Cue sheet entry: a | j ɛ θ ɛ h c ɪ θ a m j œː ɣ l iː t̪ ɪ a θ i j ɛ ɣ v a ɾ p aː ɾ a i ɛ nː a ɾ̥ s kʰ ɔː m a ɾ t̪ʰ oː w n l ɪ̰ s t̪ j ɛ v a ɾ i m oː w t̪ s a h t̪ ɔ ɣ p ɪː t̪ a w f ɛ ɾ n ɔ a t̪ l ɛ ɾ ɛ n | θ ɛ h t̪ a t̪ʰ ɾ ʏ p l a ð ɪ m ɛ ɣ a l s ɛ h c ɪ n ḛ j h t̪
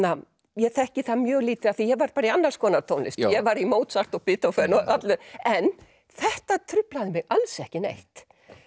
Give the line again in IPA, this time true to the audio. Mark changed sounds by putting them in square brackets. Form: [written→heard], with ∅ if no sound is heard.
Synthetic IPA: a | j ɛ θ ɛ h c ɪ θ a m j œː ɣ l iː t̪ ɪ a θ i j ɛ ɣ v a ɾ p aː ɾ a i [ɛ→a] nː a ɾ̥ s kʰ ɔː [m→n] a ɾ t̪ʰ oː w n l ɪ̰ s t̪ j ɛ v a ɾ i m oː w t̪ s a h t̪ ɔ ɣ p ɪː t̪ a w f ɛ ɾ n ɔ a t̪ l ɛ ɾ ɛ n | θ ɛ h t̪ a t̪ʰ ɾ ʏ p l a ð ɪ m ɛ ɣ a l s ɛ h c ɪ n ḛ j h t̪